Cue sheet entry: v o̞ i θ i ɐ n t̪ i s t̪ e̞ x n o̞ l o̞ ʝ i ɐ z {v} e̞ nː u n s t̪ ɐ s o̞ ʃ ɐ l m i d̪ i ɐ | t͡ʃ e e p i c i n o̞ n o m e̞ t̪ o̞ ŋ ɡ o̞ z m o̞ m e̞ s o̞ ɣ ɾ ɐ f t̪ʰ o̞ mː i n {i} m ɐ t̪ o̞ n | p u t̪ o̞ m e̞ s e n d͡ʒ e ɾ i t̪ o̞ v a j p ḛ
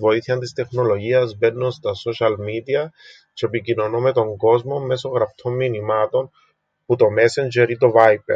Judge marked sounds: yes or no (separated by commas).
no, yes